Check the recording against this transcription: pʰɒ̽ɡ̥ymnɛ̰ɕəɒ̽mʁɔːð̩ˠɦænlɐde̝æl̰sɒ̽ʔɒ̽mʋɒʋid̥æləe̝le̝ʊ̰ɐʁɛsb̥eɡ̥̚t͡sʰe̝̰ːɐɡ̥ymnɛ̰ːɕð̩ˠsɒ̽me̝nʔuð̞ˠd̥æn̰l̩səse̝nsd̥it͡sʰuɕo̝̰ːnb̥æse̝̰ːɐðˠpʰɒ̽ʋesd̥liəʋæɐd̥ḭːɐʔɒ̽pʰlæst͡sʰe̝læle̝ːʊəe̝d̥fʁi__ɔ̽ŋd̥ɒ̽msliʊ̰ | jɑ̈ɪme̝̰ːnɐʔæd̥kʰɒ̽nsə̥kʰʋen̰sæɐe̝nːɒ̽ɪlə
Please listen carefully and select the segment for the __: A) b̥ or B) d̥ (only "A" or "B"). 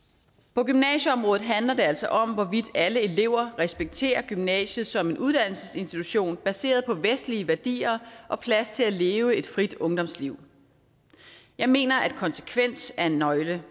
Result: B